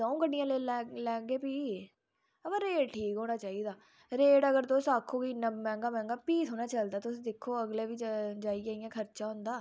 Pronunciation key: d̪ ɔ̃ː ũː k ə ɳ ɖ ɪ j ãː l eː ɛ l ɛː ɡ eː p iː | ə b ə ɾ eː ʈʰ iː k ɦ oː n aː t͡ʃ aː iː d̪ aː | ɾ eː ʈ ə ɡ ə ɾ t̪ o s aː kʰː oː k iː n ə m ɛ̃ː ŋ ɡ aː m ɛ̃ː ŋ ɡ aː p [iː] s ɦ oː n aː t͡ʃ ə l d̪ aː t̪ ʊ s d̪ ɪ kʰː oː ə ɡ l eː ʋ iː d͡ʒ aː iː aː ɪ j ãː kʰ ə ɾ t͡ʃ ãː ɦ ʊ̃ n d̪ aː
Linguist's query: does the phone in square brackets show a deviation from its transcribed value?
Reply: no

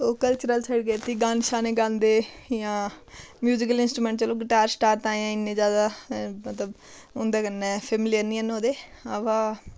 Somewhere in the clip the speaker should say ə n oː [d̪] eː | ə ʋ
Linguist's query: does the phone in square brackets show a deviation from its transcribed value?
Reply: no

